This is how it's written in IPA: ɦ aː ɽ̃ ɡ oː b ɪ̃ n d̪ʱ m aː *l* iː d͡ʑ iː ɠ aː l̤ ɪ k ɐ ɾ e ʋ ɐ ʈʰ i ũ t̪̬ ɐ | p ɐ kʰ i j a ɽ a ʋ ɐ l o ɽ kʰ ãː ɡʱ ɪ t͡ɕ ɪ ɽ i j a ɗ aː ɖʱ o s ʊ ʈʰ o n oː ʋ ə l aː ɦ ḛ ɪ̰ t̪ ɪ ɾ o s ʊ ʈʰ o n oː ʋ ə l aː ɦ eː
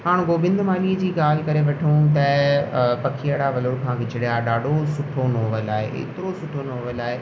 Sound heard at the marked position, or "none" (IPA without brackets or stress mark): l